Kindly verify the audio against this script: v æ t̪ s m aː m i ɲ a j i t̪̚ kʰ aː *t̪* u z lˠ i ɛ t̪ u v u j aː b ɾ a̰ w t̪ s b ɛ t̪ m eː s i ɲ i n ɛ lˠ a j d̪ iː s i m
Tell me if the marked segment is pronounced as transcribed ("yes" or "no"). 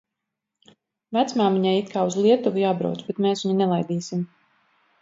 no